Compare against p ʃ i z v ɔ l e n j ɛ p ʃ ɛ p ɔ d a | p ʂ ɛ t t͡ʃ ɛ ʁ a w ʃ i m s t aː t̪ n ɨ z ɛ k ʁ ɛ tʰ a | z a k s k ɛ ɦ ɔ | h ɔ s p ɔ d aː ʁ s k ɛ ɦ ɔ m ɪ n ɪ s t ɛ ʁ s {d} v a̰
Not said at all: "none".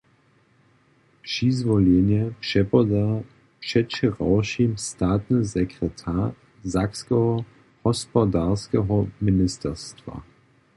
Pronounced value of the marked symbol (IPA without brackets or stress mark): t